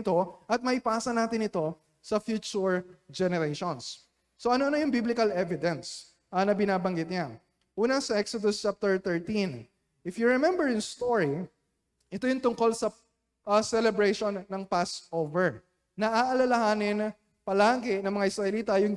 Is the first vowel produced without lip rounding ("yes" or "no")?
no